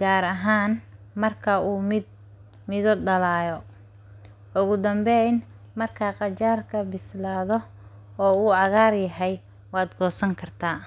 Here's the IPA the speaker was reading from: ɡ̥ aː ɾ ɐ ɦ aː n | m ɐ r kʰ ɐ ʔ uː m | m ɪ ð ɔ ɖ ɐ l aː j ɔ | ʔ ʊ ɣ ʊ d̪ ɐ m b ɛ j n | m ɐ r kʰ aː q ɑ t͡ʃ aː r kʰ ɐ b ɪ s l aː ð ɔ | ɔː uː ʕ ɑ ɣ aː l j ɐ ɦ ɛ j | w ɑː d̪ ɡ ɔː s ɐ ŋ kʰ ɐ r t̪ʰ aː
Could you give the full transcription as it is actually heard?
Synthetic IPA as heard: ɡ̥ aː ɾ ɐ ɦ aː n | m ɐ r kʰ ɐ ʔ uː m | m ɪ ð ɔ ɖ ɐ l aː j ɔ | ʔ ʊ ɣ ʊ d̪ ɐ m b ɛ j n | m ɐ r kʰ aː q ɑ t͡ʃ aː r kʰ ɐ b ɪ s l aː ð ɔ | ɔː uː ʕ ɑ ɣ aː r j ɐ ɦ ɛ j | w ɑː d̪ ɡ ɔː s ɐ ŋ kʰ ɐ r t̪ʰ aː